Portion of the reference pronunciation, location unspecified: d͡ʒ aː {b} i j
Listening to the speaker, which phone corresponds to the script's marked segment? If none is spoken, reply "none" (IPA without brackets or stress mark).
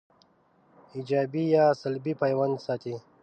b